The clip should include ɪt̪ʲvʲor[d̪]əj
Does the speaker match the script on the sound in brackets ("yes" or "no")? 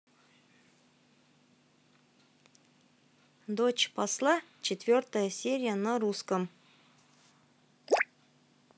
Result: no